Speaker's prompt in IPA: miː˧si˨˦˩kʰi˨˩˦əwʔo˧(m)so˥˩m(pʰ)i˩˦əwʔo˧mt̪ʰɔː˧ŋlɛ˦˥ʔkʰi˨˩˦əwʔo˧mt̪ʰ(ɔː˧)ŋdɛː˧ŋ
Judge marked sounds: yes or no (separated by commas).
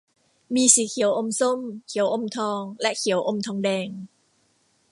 yes, no, yes